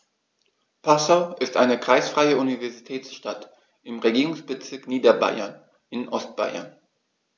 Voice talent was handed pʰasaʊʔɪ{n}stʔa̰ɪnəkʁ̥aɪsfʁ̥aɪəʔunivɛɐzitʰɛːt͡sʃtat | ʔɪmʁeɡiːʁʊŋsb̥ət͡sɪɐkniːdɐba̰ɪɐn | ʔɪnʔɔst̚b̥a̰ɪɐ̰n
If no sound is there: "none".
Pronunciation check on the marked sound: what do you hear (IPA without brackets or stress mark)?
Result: none